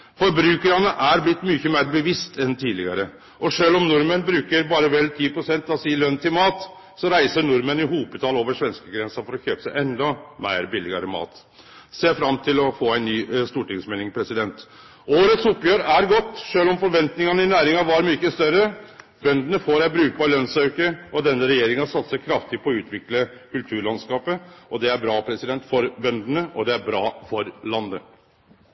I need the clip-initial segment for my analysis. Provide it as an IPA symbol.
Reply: f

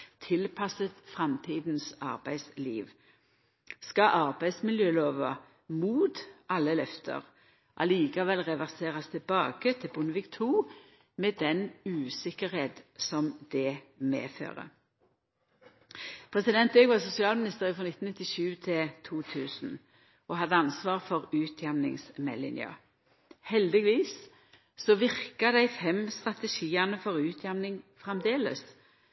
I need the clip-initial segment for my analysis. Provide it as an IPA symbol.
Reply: t̪ʰ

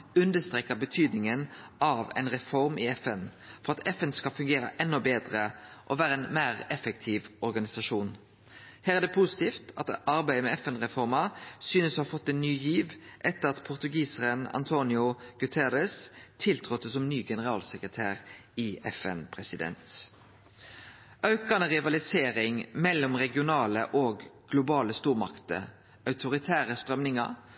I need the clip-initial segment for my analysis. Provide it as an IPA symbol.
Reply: ʉ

